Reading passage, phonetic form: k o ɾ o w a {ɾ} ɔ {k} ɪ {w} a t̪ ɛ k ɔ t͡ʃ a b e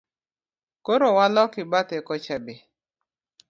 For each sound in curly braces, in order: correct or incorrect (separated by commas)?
incorrect, correct, incorrect